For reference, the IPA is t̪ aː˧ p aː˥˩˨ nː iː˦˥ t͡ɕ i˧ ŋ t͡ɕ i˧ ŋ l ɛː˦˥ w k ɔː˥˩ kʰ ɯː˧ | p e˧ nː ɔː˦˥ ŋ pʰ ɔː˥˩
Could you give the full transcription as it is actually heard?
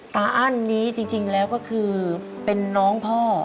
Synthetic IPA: t̪ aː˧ ʔ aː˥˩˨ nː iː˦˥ t͡ɕ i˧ ŋ t͡ɕ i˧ ŋ l ɛː˦˥ w k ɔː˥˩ kʰ ɯː˧ | p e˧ nː ɔː˦˥ ŋ pʰ ɔː˥˩